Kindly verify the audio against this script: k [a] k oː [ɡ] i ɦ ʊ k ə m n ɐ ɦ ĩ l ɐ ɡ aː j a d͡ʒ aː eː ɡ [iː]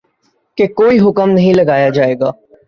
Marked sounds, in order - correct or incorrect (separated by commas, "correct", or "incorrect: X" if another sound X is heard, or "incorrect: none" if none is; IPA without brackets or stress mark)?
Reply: incorrect: e, incorrect: none, incorrect: aː